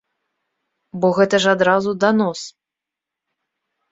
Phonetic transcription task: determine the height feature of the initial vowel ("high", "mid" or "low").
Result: mid